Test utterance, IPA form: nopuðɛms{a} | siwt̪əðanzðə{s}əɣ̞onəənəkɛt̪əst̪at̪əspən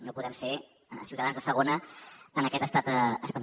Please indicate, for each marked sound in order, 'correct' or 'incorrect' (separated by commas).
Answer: incorrect, correct